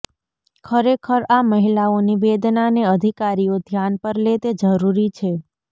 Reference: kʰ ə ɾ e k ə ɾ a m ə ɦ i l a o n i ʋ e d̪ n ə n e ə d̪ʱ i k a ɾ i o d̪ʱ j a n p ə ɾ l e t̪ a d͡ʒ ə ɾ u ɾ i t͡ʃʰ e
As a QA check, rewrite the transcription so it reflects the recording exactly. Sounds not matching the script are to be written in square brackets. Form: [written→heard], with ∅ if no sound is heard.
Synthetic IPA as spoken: kʰ ə ɾ e [k→kʰ] ə ɾ a m ə ɦ i l a o n i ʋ e d̪ n [ə→a] n e ə d̪ʱ i k a ɾ i o d̪ʱ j a n p ə ɾ l e t̪ [a→e] d͡ʒ ə ɾ u ɾ i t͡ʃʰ e

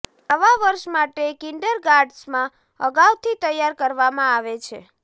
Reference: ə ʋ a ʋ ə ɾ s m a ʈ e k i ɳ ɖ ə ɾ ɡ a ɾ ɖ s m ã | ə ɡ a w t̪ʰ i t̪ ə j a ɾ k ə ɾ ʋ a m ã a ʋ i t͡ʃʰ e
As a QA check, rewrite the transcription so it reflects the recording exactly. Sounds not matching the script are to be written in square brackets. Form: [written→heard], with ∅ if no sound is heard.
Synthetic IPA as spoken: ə ʋ a ʋ ə ɾ [s→ʃ] m a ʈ e k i ɳ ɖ ə ɾ ɡ a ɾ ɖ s m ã | ə ɡ a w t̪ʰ i t̪ ə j a ɾ k ə ɾ ʋ a m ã a ʋ [i→e] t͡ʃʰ e

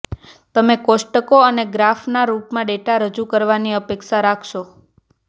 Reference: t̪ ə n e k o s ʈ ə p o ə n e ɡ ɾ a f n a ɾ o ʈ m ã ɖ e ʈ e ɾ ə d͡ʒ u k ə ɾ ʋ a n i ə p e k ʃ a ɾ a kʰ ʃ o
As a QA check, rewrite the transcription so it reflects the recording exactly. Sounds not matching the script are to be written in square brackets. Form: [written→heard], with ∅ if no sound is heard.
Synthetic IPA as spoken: t̪ ə [n→m] e k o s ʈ ə [p→k] o ə n e ɡ ɾ a f n a ɾ [o→u] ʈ m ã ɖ e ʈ [e→a] ɾ ə d͡ʒ u k ə ɾ ʋ a n i ə p e k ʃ a ɾ a kʰ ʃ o

